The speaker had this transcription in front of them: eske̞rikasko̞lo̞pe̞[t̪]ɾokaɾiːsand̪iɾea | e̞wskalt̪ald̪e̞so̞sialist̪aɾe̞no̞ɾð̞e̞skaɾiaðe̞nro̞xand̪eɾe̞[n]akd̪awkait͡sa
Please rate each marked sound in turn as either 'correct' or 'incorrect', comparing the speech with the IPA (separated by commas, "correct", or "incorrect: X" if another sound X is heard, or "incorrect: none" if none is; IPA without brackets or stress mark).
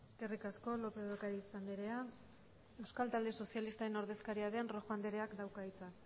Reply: incorrect: none, incorrect: none